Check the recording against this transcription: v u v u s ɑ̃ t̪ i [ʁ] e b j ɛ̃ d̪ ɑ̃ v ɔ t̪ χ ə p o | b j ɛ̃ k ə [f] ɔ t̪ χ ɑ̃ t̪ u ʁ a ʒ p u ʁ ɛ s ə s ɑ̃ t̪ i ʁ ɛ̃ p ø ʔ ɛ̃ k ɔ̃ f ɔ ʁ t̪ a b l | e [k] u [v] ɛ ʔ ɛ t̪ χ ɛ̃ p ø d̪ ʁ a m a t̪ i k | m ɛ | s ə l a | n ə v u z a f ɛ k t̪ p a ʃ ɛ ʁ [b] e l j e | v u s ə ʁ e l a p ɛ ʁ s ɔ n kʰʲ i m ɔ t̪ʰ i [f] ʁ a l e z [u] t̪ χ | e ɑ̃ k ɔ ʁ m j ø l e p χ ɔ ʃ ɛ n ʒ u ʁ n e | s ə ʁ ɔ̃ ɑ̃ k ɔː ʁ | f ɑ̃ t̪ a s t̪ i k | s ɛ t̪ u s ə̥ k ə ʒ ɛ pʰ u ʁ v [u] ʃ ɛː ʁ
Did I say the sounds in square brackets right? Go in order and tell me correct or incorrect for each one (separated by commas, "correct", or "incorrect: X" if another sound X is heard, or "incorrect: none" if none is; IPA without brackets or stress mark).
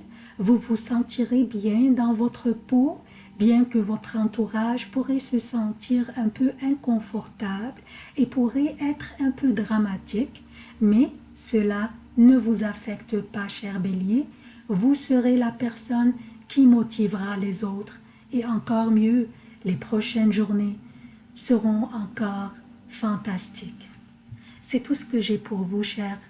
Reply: correct, incorrect: v, incorrect: p, incorrect: ʁ, correct, incorrect: v, incorrect: o, correct